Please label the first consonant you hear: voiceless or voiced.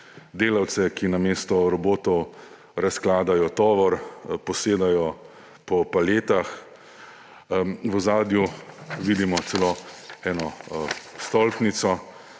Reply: voiced